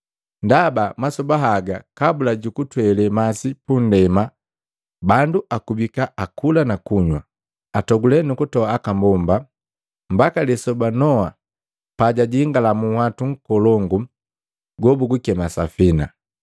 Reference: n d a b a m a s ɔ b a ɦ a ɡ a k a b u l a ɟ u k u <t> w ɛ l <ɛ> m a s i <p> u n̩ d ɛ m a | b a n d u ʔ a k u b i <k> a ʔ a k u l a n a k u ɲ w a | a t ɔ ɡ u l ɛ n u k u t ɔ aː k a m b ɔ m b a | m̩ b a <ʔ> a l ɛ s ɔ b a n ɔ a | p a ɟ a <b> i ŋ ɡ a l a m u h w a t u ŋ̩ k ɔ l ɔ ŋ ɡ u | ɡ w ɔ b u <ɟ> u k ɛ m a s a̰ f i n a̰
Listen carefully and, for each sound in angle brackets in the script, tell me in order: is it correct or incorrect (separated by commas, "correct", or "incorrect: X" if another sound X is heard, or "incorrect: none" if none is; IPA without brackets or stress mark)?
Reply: correct, correct, correct, correct, incorrect: k, incorrect: ɟ, incorrect: ɡ